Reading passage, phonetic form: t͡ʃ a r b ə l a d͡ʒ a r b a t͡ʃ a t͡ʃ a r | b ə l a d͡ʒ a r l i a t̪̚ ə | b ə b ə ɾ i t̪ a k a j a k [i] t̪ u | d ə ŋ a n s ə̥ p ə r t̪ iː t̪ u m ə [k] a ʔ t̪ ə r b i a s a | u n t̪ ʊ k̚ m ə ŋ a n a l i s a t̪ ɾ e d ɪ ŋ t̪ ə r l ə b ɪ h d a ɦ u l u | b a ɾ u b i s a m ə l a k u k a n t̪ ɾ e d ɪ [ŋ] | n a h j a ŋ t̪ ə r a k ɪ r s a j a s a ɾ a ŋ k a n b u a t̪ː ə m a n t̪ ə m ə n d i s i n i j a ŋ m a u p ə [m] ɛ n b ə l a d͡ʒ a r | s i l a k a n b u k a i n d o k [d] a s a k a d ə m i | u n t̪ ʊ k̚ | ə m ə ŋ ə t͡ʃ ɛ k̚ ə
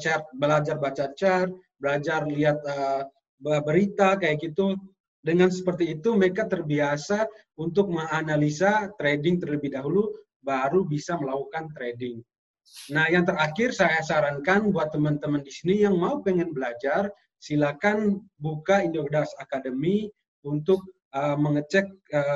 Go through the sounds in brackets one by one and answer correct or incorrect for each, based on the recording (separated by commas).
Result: correct, correct, correct, incorrect, correct